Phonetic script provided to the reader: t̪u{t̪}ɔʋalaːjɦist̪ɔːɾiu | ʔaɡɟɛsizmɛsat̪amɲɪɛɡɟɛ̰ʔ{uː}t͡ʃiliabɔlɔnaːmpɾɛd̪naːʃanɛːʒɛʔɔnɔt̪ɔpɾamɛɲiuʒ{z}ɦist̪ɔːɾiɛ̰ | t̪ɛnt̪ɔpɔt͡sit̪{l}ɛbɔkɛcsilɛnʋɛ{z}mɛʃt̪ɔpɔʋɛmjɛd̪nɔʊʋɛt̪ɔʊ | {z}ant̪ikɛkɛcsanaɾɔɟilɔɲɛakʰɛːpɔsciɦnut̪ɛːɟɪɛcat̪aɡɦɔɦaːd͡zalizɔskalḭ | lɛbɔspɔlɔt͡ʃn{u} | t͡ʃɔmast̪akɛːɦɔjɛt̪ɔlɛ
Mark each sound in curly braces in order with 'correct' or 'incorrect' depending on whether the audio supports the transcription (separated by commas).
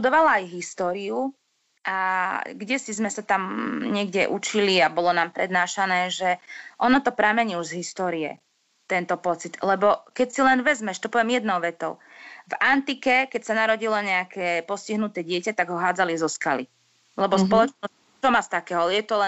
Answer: incorrect, incorrect, correct, correct, correct, incorrect, incorrect